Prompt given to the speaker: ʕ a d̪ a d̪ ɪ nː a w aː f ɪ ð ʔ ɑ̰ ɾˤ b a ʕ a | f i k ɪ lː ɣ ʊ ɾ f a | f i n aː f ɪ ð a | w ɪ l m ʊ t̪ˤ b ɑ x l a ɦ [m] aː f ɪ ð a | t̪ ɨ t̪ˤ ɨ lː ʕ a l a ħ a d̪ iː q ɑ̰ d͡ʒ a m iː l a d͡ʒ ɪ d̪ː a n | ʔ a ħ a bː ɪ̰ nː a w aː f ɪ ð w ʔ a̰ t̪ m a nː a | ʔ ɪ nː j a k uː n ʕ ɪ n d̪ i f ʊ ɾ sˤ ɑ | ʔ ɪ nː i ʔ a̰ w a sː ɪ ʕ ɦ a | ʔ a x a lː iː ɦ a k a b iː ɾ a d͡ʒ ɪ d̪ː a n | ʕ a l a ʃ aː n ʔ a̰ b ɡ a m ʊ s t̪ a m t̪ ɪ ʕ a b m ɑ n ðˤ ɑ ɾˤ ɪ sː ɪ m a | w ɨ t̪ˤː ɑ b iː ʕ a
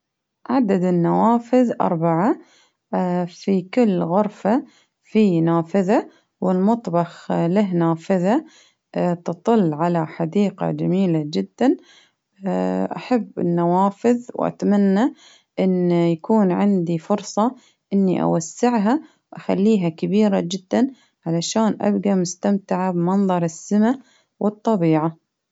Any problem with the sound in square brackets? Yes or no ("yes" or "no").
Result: yes